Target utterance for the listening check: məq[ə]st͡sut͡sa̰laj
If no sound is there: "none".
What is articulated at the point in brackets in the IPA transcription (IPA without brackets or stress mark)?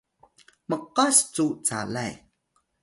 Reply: a